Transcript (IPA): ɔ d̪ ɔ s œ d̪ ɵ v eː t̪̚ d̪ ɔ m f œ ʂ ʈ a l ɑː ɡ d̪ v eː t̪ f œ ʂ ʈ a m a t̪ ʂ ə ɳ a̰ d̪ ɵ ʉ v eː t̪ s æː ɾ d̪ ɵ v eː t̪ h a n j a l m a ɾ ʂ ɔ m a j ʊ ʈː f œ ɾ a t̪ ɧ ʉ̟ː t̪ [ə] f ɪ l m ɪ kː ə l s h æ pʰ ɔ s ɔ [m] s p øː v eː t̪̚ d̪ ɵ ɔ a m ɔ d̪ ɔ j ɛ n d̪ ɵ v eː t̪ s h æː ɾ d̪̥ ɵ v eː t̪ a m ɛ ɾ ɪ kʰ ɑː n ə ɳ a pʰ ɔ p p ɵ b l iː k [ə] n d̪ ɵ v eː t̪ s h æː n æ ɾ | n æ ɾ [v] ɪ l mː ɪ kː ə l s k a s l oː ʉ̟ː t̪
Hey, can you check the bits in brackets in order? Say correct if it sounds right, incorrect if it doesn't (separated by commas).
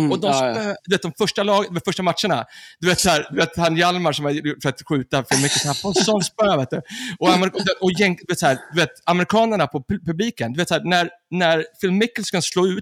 incorrect, incorrect, correct, incorrect